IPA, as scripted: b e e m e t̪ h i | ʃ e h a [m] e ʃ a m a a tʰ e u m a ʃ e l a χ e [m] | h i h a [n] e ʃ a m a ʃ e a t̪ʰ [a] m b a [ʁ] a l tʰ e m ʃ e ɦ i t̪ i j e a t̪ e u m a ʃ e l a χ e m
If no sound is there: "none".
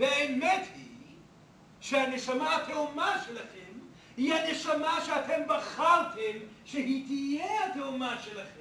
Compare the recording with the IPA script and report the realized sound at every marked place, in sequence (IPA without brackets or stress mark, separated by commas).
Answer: n, m, n, e, χ